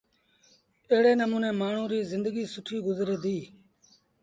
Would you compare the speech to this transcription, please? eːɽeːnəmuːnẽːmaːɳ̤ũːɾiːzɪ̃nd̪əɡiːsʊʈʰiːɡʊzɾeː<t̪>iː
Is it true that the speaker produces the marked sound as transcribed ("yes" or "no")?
no